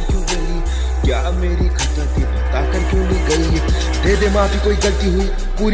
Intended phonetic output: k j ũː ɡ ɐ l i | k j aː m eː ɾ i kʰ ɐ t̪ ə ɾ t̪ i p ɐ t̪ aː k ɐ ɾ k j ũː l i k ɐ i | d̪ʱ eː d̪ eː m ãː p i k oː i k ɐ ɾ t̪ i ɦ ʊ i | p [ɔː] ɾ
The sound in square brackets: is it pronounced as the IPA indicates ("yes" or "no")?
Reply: no